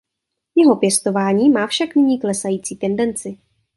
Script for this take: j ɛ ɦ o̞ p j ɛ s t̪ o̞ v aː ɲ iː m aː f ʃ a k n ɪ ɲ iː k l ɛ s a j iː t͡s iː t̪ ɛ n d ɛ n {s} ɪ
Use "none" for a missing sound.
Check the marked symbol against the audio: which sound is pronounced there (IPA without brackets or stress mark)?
t͡s